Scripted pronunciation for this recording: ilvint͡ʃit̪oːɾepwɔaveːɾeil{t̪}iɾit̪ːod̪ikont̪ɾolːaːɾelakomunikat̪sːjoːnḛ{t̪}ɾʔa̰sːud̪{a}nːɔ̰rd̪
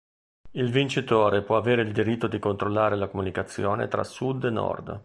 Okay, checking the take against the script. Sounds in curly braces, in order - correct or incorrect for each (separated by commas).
incorrect, correct, incorrect